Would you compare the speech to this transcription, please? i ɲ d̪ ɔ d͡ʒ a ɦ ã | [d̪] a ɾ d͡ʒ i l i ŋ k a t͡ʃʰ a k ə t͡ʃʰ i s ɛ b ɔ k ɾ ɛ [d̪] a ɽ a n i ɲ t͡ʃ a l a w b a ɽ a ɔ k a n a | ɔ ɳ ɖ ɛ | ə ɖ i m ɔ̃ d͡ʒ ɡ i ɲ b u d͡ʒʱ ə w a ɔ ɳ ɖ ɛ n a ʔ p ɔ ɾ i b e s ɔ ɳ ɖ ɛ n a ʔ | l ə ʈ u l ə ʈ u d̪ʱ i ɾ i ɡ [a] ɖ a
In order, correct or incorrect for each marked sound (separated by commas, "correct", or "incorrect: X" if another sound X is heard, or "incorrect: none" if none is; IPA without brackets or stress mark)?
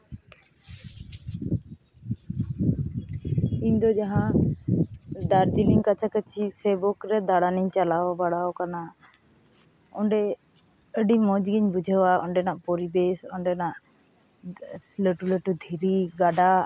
correct, correct, correct